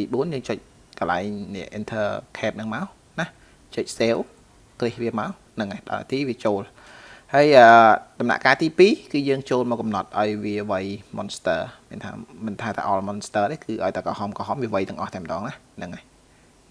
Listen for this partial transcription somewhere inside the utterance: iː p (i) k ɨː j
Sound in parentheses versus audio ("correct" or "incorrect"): incorrect